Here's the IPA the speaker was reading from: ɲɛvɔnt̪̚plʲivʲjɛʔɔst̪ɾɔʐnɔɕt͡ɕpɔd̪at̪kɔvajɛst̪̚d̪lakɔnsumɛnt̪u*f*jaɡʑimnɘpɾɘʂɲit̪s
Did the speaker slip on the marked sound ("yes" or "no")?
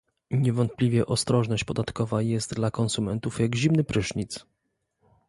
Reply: no